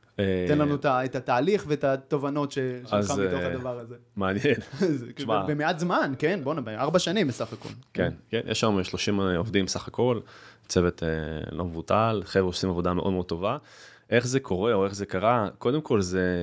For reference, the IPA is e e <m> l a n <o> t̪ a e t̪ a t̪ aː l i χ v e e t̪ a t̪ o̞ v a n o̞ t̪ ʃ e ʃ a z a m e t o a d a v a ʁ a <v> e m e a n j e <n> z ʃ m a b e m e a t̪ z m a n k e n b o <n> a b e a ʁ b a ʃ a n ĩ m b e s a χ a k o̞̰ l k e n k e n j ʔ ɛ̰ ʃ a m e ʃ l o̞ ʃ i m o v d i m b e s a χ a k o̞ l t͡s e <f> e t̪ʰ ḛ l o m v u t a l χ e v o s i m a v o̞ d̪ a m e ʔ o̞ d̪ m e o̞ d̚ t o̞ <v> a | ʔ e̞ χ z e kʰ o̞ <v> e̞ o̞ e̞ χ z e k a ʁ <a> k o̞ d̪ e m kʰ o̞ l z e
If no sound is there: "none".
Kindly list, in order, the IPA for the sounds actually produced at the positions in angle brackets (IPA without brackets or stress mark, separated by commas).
n, u, z, n, n, v, v, ʁ, a